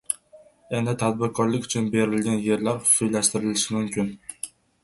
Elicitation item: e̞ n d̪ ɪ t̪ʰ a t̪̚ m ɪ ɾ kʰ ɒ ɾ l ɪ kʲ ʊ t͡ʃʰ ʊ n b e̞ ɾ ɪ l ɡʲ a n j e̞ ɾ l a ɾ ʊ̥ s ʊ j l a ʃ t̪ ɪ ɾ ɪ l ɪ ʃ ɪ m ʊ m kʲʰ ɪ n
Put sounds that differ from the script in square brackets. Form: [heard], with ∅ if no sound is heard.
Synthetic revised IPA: e̞ n d̪ ɪ t̪ʰ a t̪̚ [b] ɪ ɾ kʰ ɒ ɾ l ɪ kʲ ʊ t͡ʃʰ ʊ n b e̞ ɾ ɪ l ɡʲ a n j e̞ ɾ l a ɾ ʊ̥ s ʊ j l a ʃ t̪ ɪ ɾ ɪ l ɪ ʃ ɪ m ʊ m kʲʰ ɪ n